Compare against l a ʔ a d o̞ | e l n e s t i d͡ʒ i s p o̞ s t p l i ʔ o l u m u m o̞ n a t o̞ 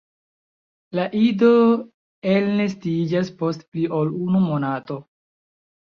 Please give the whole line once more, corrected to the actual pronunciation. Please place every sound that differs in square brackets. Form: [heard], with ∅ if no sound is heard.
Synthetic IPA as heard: l a ʔ [i] d o̞ | e l n e s t i d͡ʒ [a] s p o̞ s t p l i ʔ o l u [n] u m o̞ n a t o̞

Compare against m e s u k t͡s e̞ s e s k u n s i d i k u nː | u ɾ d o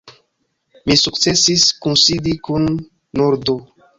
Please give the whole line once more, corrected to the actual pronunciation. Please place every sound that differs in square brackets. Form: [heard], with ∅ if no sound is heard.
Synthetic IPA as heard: m [i] s u k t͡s e̞ s [i] s k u n s i d i k u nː | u ɾ d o

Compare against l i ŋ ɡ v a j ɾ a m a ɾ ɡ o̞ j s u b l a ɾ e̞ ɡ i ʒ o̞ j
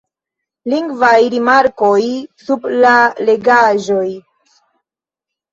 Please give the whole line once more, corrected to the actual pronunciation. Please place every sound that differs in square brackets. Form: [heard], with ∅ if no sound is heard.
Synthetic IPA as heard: l i ŋ ɡ v a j ɾ [i] m a ɾ [k] o̞ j s u b l a [l] e̞ ɡ [a] ʒ o̞ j

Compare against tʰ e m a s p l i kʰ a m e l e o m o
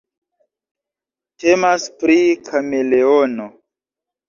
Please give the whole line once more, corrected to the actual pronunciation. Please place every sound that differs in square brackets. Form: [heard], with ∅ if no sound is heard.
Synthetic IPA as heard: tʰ e m a s p [ɾ] i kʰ a m e l e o [n] o

